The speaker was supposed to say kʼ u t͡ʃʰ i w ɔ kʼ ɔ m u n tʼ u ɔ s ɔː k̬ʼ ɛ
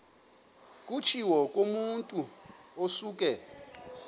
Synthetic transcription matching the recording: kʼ u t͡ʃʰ i w ɔ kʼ o m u n tʼ u o s uː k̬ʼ ɛ